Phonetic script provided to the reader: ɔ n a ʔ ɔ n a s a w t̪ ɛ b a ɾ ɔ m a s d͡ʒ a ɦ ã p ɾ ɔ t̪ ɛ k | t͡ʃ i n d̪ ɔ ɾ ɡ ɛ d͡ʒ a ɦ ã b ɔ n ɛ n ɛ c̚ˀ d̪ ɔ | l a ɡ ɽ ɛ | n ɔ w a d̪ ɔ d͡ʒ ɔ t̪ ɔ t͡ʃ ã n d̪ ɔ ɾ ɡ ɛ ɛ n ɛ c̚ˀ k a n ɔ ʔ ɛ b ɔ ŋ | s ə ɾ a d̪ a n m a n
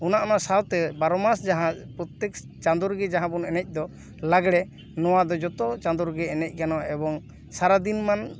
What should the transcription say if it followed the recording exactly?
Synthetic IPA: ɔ n a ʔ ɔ n a s a w t̪ ɛ b a ɾ ɔ m a s d͡ʒ a ɦ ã p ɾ ɔ t̪ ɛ k | t͡ʃ a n d̪ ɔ ɾ ɡ ɛ d͡ʒ a ɦ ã b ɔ n ɛ n ɛ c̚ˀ d̪ ɔ | l a ɡ ɽ ɛ | n ɔ w a d̪ ɔ d͡ʒ ɔ t̪ ɔ t͡ʃ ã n d̪ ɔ ɾ ɡ ɛ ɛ n ɛ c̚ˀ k a n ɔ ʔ ɛ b ɔ ŋ | s a ɾ a d̪ i n m a n